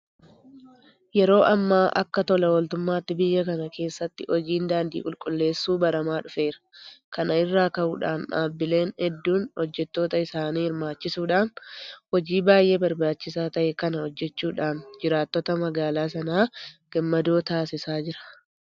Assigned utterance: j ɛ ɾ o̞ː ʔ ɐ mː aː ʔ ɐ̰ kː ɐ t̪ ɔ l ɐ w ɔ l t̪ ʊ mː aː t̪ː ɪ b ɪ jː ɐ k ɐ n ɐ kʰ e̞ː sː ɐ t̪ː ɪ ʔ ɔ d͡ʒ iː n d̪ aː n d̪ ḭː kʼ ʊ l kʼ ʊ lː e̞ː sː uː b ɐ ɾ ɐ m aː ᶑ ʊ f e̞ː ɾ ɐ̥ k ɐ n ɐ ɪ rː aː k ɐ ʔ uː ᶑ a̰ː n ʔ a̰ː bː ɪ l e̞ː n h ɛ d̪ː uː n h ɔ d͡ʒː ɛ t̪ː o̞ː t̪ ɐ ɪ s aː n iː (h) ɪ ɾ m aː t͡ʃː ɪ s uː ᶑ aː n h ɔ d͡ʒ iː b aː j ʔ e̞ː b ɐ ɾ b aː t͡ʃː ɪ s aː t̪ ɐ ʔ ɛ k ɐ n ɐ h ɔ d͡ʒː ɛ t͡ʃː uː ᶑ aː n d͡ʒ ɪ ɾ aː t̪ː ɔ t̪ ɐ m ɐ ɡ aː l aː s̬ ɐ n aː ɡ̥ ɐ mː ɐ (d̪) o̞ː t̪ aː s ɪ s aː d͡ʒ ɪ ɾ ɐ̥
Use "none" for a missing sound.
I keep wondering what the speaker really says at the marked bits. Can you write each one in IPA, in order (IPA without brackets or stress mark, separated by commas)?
h, d̪